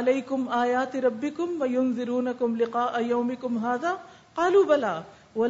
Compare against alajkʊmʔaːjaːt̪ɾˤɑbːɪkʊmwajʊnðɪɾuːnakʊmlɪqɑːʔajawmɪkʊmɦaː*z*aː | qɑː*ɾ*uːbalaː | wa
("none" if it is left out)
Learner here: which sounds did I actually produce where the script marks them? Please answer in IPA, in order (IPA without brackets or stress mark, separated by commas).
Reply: ð, l